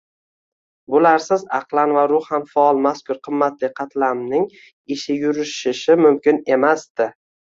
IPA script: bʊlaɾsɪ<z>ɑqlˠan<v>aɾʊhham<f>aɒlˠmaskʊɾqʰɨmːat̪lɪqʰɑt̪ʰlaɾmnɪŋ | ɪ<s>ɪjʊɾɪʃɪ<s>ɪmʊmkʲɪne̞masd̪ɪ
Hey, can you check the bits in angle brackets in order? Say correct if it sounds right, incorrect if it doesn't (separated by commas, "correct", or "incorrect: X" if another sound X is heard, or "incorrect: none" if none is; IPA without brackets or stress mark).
correct, correct, correct, incorrect: ʃ, incorrect: ʃ